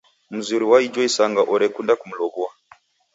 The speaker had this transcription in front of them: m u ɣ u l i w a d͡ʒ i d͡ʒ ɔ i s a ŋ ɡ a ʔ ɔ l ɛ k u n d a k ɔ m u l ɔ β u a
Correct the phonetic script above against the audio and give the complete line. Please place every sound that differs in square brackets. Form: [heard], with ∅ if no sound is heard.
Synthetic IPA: m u [z] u [ɾ] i w a [∅] i d͡ʒ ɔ i s a ŋ ɡ a ʔ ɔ [ɾ] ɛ k u n d a k [u] m u l ɔ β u a